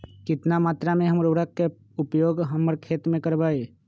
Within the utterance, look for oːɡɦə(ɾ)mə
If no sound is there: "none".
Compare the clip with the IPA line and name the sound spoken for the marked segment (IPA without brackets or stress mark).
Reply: none